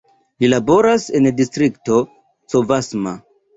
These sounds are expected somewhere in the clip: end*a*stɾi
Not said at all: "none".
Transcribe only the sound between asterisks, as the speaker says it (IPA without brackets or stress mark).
i